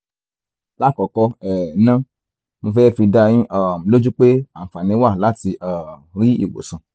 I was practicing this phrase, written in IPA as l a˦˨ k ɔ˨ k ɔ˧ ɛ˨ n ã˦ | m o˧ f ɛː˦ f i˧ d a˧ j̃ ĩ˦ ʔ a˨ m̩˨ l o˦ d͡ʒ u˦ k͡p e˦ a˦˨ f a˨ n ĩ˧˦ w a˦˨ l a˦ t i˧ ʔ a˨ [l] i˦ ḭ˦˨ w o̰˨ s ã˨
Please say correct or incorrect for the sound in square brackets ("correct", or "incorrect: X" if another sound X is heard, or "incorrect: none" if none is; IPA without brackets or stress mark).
incorrect: ɾ